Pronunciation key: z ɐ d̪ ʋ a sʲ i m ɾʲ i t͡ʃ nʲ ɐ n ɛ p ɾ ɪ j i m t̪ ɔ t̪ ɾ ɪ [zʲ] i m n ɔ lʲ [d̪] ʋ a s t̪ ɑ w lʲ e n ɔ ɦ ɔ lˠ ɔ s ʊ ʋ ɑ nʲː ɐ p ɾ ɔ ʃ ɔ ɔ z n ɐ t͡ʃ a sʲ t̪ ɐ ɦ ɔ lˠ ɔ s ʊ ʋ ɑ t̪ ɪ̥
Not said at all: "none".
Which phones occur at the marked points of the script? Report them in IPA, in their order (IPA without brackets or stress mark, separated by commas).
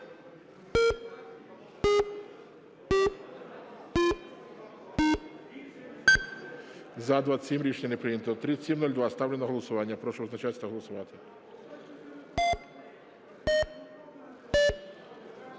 sʲ, d̪